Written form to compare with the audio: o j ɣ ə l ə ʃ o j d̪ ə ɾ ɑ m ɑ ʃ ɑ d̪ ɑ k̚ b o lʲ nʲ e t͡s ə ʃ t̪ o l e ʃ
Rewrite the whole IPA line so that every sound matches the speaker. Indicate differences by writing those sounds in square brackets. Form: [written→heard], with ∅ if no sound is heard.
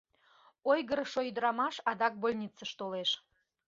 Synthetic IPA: o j ɣ ə [l→ɾ] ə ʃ o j d̪ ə ɾ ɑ m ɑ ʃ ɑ d̪ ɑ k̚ b o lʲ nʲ [e→i] t͡s ə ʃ t̪ o l e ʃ